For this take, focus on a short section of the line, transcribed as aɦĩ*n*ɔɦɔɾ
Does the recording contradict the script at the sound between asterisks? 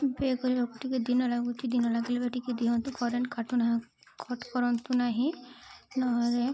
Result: no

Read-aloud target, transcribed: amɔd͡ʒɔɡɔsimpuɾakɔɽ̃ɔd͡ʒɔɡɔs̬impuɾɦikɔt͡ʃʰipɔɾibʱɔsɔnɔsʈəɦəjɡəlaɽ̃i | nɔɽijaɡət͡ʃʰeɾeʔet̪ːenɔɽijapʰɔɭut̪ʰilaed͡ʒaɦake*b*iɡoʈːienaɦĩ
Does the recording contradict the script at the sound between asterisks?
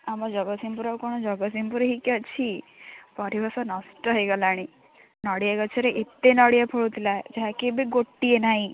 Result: no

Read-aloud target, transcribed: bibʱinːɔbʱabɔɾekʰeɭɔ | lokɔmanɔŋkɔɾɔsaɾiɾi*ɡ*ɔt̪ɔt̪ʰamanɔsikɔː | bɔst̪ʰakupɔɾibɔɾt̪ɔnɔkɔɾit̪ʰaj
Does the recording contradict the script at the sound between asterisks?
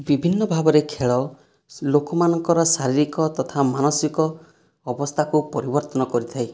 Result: yes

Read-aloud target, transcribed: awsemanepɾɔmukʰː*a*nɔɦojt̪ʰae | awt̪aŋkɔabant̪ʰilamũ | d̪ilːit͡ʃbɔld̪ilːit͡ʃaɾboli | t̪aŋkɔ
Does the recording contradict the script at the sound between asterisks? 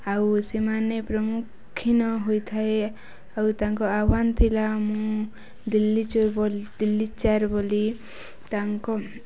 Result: yes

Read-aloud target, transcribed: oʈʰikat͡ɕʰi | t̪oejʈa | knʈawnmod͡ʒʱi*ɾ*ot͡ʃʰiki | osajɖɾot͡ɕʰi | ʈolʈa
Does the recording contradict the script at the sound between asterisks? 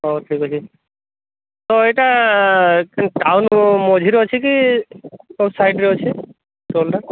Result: no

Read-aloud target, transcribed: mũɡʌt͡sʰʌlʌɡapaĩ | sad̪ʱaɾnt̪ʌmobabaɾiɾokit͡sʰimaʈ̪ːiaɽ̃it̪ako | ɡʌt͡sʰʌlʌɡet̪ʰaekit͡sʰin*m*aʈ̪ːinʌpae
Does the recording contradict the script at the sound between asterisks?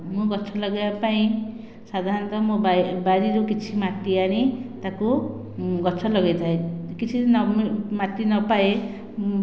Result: no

